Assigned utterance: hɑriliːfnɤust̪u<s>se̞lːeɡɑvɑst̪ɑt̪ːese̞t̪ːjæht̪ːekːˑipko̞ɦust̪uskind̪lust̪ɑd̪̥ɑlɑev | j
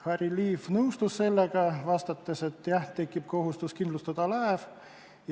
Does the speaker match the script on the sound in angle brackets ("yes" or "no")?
yes